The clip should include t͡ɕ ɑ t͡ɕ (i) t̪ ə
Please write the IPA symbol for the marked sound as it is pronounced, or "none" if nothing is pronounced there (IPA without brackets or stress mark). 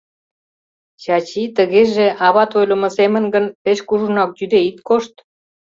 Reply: i